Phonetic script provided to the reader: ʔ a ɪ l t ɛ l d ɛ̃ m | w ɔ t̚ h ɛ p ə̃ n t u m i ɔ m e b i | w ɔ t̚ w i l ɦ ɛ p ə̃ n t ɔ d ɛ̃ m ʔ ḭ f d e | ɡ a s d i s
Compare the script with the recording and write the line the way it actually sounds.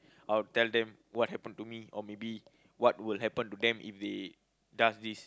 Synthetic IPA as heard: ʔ a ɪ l t ɛ l d ɛ̃ m | w ɔ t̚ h ɛ p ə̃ n t u m i ɔ m e b i | w ɔ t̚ w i l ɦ ɛ p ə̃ n t u d ɛ̃ m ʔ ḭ f d e | d a s d i s